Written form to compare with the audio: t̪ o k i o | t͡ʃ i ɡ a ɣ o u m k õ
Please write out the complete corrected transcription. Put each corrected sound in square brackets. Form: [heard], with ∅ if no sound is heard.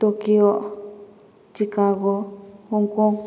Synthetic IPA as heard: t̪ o k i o | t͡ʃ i [k] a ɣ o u [ŋ] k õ